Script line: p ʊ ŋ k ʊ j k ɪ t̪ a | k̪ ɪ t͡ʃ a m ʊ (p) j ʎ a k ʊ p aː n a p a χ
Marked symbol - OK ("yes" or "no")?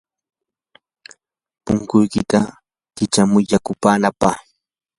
no